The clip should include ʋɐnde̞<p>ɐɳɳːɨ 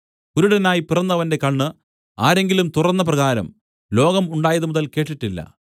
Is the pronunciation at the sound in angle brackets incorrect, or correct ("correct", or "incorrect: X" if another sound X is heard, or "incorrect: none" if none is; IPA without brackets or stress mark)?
incorrect: k